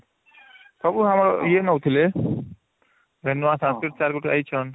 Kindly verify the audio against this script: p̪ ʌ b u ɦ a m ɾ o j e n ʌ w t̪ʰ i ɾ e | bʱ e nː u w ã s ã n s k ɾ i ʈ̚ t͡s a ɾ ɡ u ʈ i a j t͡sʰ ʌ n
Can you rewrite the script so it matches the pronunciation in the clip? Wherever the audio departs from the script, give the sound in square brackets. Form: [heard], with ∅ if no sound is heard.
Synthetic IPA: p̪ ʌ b u ɦ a m ɾ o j e n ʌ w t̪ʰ i [l] e | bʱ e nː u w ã s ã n s k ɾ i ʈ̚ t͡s a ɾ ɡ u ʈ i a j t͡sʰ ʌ n

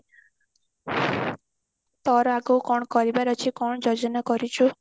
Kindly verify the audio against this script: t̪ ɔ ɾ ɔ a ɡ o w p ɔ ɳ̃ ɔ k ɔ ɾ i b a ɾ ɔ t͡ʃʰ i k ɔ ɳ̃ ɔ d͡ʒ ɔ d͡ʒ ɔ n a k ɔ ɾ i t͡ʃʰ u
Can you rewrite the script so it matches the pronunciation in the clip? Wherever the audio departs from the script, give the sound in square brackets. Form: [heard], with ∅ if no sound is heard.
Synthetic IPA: t̪ ɔ ɾ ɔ a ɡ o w [k] ɔ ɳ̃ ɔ k ɔ ɾ i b a ɾ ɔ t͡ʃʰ i k ɔ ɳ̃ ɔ d͡ʒ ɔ d͡ʒ ɔ n a k ɔ ɾ i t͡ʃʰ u

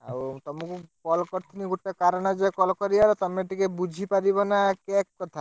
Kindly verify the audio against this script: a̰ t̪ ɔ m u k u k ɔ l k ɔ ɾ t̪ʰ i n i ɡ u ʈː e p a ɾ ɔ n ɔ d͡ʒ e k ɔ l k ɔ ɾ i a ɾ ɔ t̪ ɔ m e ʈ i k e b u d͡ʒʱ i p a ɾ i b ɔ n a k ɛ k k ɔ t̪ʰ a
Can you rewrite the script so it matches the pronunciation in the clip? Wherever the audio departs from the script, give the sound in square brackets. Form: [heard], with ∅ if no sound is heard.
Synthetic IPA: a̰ t̪ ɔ m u k u k ɔ l k ɔ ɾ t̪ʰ i n i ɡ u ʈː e [k] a ɾ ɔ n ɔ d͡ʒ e k ɔ l k ɔ ɾ i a ɾ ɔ t̪ ɔ m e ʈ i k e b u d͡ʒʱ i p a ɾ i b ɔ n a k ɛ k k ɔ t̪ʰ a

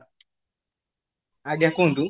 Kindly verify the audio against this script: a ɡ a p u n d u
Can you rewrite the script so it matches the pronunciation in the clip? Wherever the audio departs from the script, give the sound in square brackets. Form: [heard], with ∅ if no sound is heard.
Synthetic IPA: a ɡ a [k] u n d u

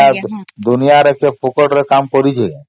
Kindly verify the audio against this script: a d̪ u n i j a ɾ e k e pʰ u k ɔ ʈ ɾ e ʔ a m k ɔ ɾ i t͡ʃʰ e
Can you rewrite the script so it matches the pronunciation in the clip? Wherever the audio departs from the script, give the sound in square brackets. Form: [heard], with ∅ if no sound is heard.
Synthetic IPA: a d̪ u n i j a ɾ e k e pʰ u k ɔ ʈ ɾ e [k] a m k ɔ ɾ i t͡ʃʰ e

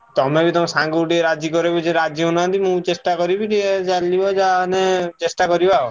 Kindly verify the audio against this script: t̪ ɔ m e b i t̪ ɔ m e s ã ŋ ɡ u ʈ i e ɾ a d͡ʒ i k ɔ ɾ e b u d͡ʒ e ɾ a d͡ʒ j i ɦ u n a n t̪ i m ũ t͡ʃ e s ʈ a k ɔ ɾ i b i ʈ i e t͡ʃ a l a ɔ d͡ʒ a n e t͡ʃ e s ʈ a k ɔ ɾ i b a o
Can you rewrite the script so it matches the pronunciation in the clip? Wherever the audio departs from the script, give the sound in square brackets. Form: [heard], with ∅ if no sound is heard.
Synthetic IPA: t̪ ɔ m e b i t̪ ɔ m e s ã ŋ ɡ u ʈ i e ɾ a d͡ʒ i k ɔ ɾ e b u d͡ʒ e ɾ a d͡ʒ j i ɦ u n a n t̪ i m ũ t͡ʃ e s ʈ a k ɔ ɾ i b i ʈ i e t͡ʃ a l [i] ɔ d͡ʒ a n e t͡ʃ e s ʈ a k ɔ ɾ i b a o

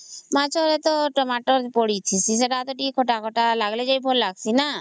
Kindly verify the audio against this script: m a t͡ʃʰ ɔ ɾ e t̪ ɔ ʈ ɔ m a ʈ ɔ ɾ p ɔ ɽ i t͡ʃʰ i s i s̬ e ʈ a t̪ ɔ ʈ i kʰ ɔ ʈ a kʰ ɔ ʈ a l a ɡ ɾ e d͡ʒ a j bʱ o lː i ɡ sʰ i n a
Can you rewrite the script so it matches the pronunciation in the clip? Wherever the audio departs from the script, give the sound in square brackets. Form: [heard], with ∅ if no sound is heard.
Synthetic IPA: m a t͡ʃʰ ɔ ɾ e t̪ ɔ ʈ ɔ m a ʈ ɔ ɾ p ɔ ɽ i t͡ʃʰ i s i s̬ e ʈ a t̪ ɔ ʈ i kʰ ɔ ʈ a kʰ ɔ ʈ a l a ɡ [l] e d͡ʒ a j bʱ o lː [a] ɡ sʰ i n a

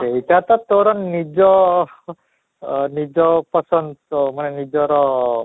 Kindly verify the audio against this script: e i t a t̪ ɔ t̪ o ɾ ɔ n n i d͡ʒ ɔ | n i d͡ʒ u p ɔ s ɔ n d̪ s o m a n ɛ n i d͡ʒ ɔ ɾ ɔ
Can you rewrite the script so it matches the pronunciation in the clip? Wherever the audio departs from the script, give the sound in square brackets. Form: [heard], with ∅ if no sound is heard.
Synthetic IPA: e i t a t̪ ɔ t̪ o ɾ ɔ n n i d͡ʒ ɔ | n i d͡ʒ [ɔ] p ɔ s ɔ n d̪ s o m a n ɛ n i d͡ʒ ɔ ɾ ɔ

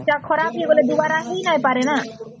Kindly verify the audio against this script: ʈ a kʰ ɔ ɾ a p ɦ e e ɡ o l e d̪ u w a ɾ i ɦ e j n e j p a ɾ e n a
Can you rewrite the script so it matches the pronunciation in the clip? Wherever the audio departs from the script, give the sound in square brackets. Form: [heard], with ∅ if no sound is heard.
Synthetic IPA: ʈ a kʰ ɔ ɾ a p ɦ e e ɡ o l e d̪ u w a ɾ [a] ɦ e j n [a] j p a ɾ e n a

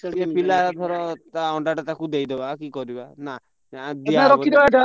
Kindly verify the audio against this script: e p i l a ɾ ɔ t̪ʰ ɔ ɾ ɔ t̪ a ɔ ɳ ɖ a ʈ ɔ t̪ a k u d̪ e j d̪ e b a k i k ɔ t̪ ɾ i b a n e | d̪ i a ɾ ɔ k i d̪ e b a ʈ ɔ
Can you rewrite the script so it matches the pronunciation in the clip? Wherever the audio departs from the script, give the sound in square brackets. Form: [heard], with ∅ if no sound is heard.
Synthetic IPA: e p i l a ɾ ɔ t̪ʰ ɔ ɾ ɔ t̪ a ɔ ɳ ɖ a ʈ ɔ t̪ a k u d̪ e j d̪ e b a k i k ɔ [∅] ɾ i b a n [a] | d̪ i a ɾ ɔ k i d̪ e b a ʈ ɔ

